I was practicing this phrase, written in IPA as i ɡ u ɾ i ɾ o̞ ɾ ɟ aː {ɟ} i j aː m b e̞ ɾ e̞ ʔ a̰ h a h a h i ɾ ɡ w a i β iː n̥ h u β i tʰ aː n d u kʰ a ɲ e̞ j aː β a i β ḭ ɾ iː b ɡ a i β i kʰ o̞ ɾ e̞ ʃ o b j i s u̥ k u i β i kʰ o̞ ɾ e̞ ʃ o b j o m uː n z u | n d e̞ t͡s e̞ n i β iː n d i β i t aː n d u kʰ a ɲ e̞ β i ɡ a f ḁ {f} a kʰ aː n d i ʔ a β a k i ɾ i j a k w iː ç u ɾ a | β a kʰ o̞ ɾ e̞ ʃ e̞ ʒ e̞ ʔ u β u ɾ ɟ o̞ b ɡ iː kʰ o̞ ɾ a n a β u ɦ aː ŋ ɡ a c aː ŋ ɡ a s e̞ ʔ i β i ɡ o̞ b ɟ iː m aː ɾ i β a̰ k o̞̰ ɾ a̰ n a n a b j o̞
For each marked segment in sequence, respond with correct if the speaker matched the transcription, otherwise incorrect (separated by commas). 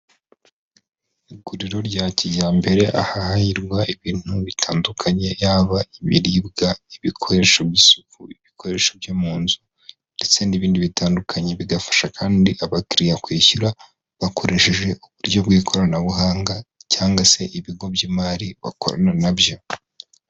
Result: incorrect, incorrect